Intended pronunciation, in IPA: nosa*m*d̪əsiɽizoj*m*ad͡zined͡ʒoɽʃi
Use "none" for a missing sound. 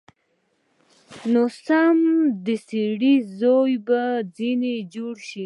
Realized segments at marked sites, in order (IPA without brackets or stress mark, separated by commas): m, b